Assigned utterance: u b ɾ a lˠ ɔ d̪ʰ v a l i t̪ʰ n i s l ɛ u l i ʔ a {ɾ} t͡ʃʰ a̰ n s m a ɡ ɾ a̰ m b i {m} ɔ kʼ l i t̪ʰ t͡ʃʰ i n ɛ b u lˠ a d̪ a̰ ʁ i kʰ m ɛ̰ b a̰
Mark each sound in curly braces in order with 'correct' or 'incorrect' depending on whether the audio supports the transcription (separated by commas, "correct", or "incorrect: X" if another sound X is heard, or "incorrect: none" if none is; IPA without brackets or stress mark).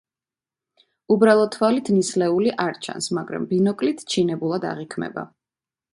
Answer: correct, incorrect: n